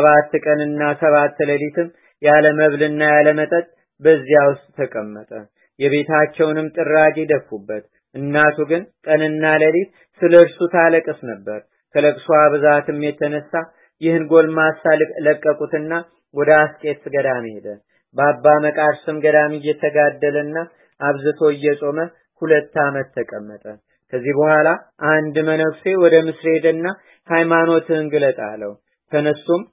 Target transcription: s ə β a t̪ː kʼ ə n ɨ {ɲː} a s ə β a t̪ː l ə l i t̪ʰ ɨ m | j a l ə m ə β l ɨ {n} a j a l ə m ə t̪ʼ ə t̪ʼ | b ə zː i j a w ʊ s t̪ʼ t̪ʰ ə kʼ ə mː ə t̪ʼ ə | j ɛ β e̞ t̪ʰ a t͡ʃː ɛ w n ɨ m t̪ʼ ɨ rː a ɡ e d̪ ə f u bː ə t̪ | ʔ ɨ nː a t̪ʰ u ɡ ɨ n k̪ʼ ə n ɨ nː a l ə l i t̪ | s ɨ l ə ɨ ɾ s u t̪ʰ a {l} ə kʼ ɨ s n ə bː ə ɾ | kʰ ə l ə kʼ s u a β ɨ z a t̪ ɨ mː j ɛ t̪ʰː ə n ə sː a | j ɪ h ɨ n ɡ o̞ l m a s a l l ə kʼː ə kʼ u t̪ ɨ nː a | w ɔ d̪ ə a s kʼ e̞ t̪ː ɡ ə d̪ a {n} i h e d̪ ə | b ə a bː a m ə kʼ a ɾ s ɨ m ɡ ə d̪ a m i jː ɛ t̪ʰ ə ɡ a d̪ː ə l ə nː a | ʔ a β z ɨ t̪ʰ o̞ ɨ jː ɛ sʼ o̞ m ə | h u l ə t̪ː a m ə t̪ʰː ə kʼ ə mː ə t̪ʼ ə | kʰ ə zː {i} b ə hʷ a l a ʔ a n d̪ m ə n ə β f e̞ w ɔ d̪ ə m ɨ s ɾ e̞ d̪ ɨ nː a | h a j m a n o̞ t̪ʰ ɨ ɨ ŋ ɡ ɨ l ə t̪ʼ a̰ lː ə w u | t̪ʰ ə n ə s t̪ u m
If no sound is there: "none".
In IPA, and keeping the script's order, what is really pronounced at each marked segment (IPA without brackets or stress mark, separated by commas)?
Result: nː, nː, l, m, i